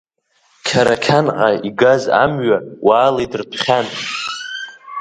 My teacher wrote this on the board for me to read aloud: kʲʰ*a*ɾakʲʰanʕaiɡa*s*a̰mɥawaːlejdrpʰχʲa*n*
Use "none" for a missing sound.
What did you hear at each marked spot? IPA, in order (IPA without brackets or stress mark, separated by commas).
a, z, n